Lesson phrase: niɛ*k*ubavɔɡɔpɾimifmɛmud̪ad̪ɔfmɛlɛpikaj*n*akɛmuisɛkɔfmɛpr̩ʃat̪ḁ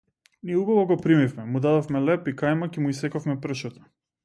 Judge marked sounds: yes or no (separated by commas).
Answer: no, no